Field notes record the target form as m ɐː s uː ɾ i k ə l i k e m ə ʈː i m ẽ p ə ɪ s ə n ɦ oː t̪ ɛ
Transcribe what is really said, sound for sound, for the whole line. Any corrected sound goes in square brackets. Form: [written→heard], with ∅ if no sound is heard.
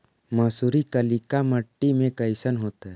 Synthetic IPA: m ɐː s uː ɾ i k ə l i k [e→a] m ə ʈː i m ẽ [p→k] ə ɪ s ə n ɦ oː t̪ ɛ